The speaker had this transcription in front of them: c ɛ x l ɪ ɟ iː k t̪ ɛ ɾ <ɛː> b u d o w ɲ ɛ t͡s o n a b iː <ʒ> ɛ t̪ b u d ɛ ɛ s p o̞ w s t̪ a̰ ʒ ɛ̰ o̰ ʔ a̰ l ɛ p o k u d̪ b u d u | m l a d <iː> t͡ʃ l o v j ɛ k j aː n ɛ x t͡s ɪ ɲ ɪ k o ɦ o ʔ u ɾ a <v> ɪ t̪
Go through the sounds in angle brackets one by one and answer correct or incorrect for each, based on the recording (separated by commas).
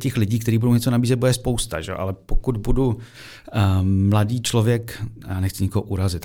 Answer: incorrect, incorrect, correct, incorrect